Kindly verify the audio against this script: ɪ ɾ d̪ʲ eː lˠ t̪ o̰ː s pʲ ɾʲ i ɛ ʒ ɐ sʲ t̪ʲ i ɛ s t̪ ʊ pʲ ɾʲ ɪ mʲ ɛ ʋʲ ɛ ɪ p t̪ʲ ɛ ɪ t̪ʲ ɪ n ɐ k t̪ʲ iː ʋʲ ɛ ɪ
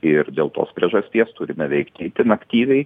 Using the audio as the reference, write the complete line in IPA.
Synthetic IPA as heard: ɪ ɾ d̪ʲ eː lˠ t̪ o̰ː s pʲ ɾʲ i ɛ ʒ ɐ sʲ t̪ʲ i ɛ s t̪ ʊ ɾʲ ɪ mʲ ɛ ʋʲ ɛ ɪ k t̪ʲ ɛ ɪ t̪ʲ ɪ n ɐ k t̪ʲ iː ʋʲ ɛ ɪ

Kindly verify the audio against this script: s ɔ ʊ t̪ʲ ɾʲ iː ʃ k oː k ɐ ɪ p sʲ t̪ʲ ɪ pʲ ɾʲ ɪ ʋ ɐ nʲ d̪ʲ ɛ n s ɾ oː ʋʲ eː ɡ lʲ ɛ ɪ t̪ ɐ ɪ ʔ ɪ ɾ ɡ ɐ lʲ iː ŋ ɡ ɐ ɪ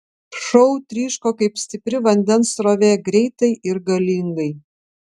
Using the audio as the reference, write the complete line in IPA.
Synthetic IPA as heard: ʃ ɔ ʊ t̪ʲ ɾʲ iː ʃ k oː k ɐ ɪ p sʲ t̪ʲ ɪ pʲ ɾʲ ɪ ʋ ɐ nʲ d̪ʲ ɛ n s ɾ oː ʋʲ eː ɡ ɾʲ ɛ ɪ t̪ ɐ ɪ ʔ ɪ ɾ ɡ ɐ lʲ iː ŋ ɡ ɐ ɪ

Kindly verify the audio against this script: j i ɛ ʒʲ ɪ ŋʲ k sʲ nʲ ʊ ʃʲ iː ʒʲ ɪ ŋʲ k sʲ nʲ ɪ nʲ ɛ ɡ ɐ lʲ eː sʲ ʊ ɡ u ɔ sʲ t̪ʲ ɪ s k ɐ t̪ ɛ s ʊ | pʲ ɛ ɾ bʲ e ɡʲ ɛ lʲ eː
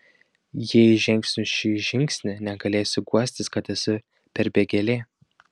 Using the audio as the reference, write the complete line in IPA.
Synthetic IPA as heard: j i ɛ ʒʲ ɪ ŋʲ k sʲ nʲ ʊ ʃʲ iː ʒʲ ɪ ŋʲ k sʲ nʲ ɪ nʲ ɛ ɡ ɐ lʲ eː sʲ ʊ ɡ u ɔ sʲ t̪ʲ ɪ s k ɐ t̪ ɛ s ʊ | pʲ ɛ ɾ bʲ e ɡʲ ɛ lʲ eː

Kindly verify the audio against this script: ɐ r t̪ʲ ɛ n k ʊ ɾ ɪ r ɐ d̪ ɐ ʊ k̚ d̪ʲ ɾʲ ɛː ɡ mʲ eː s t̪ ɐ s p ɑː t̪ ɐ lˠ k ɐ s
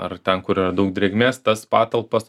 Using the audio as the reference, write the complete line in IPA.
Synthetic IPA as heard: ɐ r t̪ʲ ɛ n k ʊ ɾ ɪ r ɐ d̪ ɐ ʊ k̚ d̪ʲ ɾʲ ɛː ɡ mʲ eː s t̪ ɐ s p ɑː t̪ ɐ lˠ p ɐ s

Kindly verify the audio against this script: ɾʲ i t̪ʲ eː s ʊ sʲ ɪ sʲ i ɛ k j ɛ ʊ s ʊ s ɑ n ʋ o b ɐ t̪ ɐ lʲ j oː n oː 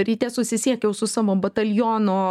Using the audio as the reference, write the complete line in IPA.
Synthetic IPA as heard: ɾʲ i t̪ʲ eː s ʊ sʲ ɪ sʲ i ɛ k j ɛ ʊ s ʊ s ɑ ʋ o b ɐ t̪ ɐ lʲ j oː n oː

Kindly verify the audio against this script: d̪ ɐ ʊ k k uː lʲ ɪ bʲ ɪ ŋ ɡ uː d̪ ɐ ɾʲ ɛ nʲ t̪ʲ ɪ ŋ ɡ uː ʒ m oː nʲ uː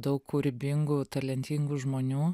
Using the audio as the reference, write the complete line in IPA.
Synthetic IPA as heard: d̪ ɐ ʊ k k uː ɾʲ ɪ bʲ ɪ ŋ ɡ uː t̪ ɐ lʲ ɛ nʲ t̪ʲ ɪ ŋ ɡ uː ʒ m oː nʲ uː

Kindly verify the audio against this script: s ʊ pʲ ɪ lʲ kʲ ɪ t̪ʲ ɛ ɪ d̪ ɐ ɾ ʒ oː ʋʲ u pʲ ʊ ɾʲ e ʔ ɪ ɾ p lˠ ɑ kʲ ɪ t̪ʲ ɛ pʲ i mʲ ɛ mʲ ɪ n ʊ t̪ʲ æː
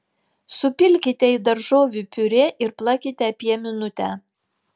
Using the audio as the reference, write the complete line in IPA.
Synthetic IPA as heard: s ʊ pʲ ɪ lʲ kʲ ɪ t̪ʲ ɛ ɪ d̪ ɐ ɾ ʒ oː ʋʲ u pʲ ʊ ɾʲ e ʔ ɪ ɾ p lˠ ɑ kʲ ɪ t̪ʲ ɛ pʲ i ɛ mʲ ɪ n ʊ t̪ʲ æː

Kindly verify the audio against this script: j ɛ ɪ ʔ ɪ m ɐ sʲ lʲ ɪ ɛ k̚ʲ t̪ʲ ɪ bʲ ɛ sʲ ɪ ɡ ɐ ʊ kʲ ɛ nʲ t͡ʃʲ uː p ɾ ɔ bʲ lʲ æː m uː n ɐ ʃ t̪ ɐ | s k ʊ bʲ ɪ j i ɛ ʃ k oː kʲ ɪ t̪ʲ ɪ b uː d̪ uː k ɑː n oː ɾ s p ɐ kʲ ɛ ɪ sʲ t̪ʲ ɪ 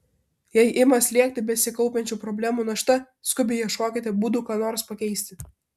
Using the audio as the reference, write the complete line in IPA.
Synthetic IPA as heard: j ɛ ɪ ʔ ɪ m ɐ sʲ lʲ i ɛ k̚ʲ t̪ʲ ɪ bʲ ɛ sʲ ɪ k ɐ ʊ pʲ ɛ nʲ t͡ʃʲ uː p ɾ ɔ bʲ lʲ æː m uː n ɐ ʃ t̪ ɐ | s k ʊ bʲ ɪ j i ɛ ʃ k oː kʲ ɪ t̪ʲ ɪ b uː d̪ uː k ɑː n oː ɾ s p ɐ kʲ ɛ ɪ sʲ t̪ʲ ɪ

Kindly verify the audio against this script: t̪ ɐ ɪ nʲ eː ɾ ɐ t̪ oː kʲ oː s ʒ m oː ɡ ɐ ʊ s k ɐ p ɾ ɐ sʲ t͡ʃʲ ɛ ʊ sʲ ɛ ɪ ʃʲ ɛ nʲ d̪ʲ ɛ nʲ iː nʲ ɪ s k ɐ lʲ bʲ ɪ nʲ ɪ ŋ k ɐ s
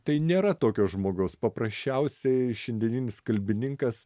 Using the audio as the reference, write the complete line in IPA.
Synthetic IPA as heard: t̪ ɐ ɪ nʲ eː ɾ ɐ t̪ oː kʲ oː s ʒ m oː ɡ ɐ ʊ s p ɐ p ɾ ɐ sʲ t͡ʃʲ ɛ ʊ sʲ ɛ ɪ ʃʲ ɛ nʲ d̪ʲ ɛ nʲ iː nʲ ɪ s k ɐ lʲ bʲ ɪ nʲ ɪ ŋ k ɐ s

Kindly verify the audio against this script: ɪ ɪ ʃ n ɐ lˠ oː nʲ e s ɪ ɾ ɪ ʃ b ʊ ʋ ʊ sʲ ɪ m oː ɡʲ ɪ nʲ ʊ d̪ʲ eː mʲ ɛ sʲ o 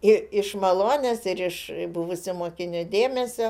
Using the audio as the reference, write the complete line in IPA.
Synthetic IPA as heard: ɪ ɪ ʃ m ɐ lˠ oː nʲ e s ɪ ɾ ɪ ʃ b ʊ ʋ ʊ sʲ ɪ m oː kʲ ɪ nʲ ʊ d̪ʲ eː mʲ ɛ sʲ o

